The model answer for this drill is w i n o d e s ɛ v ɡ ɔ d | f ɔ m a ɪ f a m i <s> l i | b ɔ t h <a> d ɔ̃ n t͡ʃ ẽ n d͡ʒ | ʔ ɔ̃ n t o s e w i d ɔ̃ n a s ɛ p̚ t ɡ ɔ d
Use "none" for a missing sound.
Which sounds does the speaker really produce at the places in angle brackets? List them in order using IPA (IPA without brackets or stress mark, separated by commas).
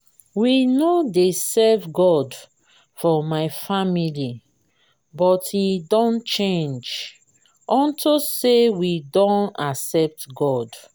none, i